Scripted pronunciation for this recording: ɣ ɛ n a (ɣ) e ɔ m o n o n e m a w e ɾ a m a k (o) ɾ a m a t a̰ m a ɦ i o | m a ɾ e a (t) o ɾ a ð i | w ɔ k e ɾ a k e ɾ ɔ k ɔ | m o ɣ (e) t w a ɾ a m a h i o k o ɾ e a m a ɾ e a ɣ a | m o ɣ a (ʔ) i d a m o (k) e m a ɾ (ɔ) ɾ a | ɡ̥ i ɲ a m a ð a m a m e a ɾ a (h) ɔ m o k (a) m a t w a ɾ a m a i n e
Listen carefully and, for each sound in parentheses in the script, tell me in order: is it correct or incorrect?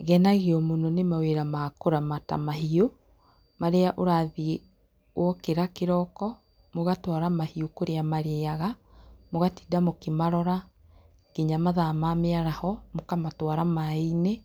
correct, correct, incorrect, incorrect, incorrect, correct, correct, correct, correct

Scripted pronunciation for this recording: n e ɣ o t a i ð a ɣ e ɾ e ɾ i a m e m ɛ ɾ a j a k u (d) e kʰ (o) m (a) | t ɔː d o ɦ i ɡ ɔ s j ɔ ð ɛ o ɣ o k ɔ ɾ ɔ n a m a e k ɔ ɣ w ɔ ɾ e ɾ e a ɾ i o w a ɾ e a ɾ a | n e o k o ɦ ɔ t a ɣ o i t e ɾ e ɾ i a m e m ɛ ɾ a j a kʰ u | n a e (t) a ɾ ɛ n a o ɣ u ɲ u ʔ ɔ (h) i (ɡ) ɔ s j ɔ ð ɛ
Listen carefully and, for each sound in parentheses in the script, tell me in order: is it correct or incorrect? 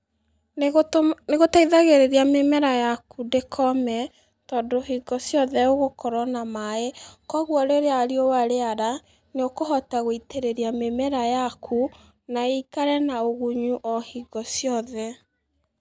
correct, incorrect, incorrect, incorrect, correct, correct

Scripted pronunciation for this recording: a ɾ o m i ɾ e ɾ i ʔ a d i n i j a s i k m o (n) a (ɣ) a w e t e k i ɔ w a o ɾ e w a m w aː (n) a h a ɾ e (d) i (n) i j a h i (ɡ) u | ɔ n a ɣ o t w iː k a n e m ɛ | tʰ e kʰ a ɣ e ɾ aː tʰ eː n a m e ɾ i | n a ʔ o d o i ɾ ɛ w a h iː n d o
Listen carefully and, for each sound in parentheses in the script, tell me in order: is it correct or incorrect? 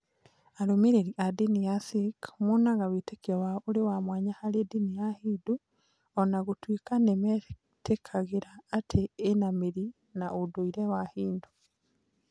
correct, correct, incorrect, correct, correct, incorrect

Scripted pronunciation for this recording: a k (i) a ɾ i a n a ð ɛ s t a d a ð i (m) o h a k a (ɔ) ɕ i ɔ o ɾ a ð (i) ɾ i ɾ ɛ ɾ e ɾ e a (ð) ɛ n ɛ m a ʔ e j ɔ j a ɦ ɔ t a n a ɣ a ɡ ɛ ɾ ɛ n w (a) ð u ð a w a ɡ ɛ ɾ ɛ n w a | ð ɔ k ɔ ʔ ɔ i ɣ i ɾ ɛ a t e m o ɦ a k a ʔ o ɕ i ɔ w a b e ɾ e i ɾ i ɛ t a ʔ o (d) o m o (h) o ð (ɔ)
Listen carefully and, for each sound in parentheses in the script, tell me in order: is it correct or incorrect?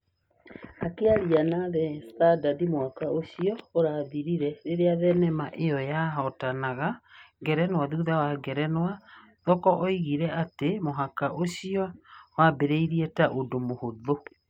incorrect, correct, incorrect, correct, correct, correct, correct, correct, incorrect

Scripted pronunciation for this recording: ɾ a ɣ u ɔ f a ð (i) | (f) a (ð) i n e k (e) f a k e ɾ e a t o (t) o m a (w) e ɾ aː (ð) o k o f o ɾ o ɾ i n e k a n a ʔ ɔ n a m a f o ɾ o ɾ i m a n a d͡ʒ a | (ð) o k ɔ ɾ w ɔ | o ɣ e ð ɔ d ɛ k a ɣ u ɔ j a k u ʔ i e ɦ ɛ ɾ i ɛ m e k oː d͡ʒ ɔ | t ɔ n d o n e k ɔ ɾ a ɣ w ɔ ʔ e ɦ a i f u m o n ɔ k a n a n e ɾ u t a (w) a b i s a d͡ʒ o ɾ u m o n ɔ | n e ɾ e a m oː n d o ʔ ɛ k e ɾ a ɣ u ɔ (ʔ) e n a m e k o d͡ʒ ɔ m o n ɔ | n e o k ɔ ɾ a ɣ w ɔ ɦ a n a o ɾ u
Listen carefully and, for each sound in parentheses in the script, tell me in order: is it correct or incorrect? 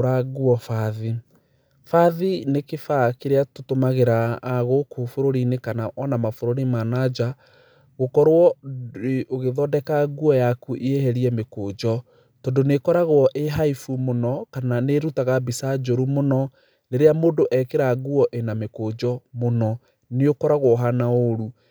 correct, correct, correct, correct, correct, incorrect, incorrect, incorrect, incorrect, correct

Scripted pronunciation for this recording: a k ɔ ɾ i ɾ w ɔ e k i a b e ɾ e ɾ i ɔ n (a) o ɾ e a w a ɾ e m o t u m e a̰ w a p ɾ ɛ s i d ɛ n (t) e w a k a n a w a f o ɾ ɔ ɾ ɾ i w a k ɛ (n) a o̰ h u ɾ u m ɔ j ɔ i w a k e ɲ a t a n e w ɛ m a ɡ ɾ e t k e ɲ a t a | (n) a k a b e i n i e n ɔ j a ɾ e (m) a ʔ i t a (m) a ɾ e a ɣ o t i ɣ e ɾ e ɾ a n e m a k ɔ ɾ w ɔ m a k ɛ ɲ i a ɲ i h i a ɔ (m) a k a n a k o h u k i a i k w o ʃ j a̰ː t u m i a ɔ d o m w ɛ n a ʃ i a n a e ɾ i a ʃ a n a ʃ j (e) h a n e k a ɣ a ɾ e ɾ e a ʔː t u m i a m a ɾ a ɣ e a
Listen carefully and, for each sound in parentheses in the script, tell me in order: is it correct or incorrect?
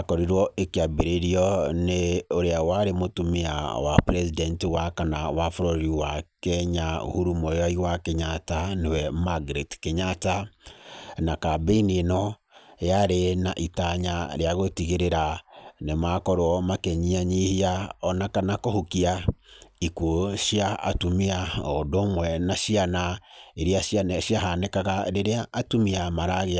incorrect, correct, incorrect, correct, incorrect, incorrect, incorrect, incorrect

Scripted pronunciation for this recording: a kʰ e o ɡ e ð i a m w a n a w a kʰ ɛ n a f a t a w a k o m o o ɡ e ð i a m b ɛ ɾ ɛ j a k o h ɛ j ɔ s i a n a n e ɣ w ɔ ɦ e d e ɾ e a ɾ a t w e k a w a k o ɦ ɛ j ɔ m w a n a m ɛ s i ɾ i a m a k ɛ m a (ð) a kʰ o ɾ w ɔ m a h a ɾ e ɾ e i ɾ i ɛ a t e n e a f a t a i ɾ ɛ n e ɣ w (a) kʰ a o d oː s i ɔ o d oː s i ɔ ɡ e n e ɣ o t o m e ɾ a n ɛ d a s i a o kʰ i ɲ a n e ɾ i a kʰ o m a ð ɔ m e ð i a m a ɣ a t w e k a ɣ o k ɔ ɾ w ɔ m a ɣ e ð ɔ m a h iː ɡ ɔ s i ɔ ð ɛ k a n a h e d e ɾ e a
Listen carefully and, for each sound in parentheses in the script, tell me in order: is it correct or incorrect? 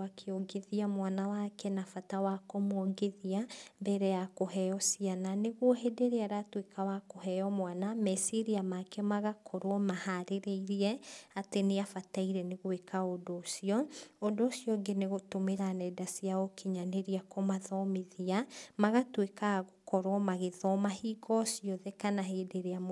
incorrect, incorrect

